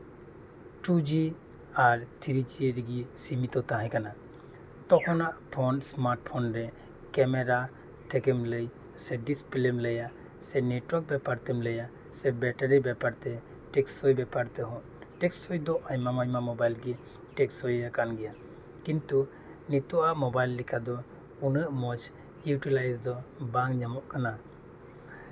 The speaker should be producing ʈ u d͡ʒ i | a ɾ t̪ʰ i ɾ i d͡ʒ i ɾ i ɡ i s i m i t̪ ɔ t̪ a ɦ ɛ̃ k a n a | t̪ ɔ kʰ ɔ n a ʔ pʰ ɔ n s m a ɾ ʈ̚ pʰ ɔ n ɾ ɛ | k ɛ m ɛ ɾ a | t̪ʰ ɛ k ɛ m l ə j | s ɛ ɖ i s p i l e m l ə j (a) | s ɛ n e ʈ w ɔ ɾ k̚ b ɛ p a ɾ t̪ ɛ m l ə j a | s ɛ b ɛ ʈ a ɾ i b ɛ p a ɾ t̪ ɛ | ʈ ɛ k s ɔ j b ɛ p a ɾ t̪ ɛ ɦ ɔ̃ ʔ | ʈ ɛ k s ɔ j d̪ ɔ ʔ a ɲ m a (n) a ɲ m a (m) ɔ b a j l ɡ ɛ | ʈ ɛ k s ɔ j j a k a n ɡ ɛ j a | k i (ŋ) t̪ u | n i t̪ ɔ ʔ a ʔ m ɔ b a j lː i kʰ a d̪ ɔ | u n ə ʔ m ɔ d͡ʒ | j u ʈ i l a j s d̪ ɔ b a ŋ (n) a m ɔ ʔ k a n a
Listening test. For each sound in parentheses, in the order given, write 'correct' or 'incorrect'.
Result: correct, incorrect: m, correct, incorrect: n, incorrect: ɲ

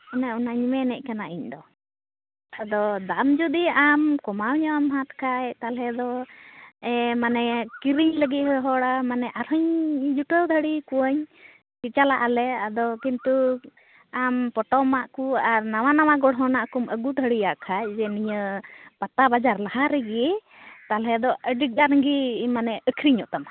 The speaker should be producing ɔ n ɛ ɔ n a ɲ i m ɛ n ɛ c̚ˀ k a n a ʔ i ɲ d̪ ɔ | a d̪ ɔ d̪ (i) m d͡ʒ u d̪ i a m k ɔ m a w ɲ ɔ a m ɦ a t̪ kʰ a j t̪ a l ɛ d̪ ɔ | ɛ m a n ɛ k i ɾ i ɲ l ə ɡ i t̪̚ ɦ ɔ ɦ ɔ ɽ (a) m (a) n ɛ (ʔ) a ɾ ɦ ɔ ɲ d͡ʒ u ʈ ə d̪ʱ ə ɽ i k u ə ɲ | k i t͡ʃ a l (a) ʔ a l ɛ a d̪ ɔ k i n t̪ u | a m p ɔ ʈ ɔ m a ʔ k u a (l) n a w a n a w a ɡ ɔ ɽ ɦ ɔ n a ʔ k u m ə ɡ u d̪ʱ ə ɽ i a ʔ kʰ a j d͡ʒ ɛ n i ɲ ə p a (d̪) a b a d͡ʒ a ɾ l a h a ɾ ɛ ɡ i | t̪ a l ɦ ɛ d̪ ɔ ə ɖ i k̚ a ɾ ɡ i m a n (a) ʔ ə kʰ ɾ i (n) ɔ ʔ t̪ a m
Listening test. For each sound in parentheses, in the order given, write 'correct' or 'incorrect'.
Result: incorrect: a, correct, correct, correct, correct, incorrect: ɾ, incorrect: t̪, incorrect: ɛ, incorrect: ɲ

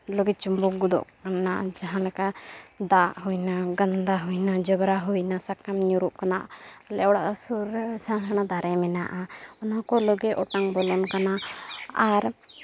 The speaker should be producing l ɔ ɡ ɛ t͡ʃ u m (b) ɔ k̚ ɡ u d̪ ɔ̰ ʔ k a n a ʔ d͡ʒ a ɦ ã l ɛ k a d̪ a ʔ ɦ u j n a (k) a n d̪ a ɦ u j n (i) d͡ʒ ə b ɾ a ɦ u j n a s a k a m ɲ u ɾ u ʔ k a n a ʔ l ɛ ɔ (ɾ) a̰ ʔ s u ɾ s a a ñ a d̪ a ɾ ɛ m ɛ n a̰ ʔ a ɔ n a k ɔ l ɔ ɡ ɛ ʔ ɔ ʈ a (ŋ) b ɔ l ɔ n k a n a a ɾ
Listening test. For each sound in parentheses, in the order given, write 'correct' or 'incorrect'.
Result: correct, incorrect: ɡ, incorrect: a, incorrect: ɽ, correct

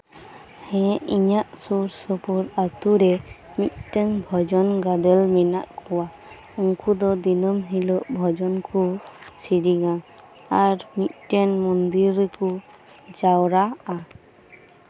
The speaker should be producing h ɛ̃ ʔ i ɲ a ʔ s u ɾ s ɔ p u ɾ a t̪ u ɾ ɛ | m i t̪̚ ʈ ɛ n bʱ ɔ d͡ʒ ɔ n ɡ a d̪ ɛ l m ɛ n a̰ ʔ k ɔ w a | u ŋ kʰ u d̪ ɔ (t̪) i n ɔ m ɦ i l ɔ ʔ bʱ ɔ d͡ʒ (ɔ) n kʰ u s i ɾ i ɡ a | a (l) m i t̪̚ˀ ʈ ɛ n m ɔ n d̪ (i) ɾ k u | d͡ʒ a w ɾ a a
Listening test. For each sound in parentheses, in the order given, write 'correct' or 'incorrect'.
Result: incorrect: d̪, correct, incorrect: ɾ, correct

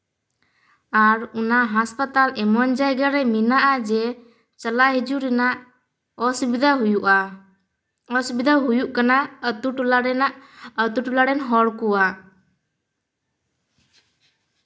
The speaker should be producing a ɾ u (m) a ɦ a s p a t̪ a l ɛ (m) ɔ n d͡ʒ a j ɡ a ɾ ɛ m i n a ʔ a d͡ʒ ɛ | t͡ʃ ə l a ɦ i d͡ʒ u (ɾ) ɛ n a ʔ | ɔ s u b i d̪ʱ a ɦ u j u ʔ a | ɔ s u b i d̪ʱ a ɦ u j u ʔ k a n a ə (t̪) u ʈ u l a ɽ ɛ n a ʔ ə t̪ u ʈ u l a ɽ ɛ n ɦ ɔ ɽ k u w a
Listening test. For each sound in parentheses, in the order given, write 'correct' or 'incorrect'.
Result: incorrect: n, correct, correct, correct

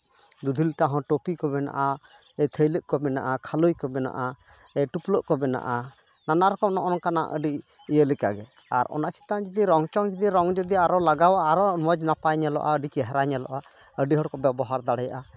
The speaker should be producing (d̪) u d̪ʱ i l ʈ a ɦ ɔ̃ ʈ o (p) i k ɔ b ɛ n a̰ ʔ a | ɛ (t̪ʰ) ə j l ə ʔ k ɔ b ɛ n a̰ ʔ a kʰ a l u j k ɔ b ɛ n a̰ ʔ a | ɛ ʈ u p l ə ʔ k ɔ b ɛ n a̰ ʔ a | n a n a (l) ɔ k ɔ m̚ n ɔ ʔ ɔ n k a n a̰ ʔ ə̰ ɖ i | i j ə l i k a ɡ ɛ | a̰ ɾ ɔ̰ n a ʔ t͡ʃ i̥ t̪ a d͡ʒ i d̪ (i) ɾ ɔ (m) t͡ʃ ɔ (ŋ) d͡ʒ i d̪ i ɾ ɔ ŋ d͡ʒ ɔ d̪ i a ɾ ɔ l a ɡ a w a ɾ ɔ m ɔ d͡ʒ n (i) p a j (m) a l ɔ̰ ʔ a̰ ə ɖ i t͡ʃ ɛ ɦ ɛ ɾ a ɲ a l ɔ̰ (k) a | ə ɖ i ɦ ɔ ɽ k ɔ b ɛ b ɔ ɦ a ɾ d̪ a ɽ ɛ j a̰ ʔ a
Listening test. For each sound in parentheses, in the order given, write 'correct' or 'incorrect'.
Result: correct, correct, correct, incorrect: ɾ, correct, incorrect: ŋ, correct, incorrect: a, incorrect: ɲ, incorrect: ʔ

